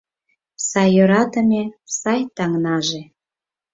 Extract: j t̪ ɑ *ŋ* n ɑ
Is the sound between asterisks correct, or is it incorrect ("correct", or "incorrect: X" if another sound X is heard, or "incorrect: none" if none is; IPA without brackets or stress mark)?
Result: correct